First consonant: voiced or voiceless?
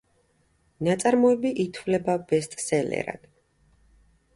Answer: voiced